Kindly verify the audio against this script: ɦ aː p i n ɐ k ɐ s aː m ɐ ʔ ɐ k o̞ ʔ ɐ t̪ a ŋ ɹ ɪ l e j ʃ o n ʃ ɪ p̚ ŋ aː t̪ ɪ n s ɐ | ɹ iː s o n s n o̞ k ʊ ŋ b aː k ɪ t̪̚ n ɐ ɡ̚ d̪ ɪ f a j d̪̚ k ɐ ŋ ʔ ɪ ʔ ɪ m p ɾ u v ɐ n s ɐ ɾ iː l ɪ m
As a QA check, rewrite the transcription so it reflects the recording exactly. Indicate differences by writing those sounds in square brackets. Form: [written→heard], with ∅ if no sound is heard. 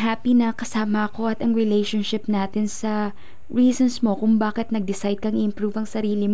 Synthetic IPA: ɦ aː p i n ɐ k ɐ s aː m ɐ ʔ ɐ k o̞ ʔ ɐ t̪ [a→ɐ] ŋ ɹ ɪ l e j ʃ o n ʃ ɪ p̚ [ŋ→n] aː t̪ ɪ n s ɐ | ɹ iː s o n s [n→m] o̞ k ʊ ŋ b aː k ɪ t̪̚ n ɐ ɡ̚ d̪ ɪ [f→s] a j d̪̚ k ɐ ŋ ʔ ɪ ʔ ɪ m p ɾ u v ɐ [n→ŋ] s ɐ ɾ iː l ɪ m